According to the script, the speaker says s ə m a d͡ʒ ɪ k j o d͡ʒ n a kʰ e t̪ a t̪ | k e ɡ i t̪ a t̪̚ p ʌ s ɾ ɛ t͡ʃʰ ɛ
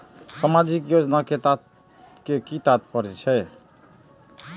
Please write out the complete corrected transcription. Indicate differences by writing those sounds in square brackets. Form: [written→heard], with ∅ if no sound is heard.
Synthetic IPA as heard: s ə m a d͡ʒ [ɪ→i] k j o d͡ʒ n a [kʰ→k] e t̪ a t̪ | k e [ɡ→k] i t̪ a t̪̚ p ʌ [s→∅] ɾ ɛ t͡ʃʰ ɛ